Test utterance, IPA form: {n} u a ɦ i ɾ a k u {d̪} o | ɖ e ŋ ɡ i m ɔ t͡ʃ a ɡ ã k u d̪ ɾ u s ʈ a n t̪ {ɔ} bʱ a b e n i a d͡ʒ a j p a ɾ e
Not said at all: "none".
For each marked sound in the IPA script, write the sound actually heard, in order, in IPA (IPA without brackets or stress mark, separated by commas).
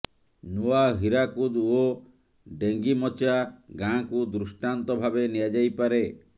n, d̪, ɔ